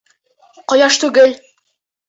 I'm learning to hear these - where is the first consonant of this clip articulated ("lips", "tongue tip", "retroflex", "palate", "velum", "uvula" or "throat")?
uvula